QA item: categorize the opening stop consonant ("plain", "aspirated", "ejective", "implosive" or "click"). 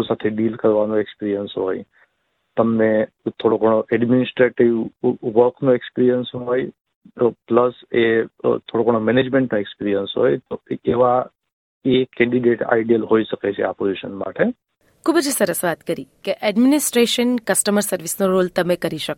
aspirated